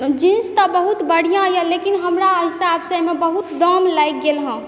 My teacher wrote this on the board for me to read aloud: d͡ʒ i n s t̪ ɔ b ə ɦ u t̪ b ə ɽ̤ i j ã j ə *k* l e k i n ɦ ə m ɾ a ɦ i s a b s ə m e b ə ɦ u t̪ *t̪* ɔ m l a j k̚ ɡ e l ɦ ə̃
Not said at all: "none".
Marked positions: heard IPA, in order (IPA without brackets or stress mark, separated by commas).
none, d̪